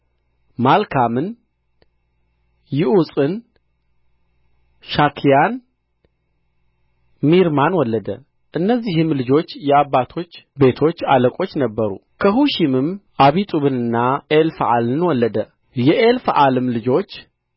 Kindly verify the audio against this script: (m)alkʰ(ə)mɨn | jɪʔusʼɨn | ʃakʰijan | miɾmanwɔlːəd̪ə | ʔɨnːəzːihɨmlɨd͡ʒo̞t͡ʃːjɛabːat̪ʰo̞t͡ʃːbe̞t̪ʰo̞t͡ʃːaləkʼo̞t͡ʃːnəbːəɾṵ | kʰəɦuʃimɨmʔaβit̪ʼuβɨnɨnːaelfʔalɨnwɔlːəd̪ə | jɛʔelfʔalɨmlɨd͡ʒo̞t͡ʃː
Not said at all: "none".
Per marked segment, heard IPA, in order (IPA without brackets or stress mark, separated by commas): m, a